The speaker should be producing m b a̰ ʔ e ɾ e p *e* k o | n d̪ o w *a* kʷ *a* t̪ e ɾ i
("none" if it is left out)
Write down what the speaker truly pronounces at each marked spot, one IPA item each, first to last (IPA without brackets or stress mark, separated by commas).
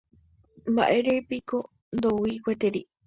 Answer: i, i, e